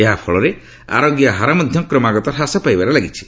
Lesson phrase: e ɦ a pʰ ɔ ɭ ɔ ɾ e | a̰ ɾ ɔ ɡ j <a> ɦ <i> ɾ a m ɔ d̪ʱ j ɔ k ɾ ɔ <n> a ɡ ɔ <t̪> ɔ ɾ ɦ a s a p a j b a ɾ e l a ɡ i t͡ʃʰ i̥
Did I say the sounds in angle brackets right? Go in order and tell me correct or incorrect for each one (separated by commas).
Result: correct, incorrect, incorrect, correct